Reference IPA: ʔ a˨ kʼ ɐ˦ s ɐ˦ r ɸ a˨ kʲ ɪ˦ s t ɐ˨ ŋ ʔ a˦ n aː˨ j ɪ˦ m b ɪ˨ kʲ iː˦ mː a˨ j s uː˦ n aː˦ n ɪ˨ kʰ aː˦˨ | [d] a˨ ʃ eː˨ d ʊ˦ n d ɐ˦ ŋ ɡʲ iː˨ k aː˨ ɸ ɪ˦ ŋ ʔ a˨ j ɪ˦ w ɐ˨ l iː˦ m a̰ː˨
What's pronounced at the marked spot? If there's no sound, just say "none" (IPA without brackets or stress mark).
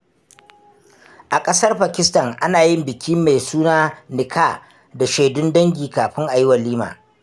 d